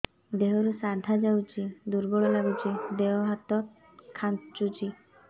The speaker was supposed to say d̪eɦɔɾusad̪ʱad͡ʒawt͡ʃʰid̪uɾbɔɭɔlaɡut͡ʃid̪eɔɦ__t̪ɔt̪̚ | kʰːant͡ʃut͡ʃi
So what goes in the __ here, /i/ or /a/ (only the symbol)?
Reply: a